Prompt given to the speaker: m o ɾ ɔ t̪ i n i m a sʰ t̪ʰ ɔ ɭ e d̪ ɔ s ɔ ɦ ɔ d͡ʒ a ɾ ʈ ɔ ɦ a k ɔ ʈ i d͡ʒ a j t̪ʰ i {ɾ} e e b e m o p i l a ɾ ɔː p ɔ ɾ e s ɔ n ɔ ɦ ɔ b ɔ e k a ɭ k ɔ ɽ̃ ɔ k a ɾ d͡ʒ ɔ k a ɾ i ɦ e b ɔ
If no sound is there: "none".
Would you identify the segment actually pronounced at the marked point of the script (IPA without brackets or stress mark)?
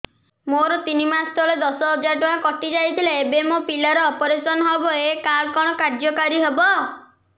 l